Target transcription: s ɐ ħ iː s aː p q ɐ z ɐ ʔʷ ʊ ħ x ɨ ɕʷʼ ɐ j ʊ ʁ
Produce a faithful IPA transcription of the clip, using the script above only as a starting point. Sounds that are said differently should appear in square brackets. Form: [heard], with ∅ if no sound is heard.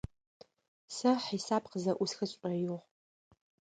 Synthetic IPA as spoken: s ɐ ħ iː s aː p q [ə] z ɐ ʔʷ ʊ [s] x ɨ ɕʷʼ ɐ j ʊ ʁ